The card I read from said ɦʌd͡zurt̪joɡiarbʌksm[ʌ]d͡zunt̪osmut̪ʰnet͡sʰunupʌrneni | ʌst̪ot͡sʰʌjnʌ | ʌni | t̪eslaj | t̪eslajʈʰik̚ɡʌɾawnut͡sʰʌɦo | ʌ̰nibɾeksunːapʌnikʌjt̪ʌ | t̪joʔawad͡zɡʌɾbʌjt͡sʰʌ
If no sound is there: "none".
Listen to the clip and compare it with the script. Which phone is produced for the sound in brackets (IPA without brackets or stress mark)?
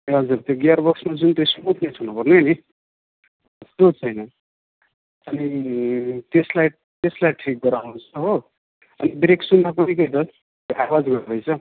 a